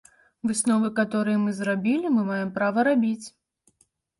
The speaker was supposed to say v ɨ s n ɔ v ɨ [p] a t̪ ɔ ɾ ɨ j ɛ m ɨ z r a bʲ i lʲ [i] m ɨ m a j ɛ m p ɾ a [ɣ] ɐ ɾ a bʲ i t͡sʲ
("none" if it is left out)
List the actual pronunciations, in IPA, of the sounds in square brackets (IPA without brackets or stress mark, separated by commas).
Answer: k, i, v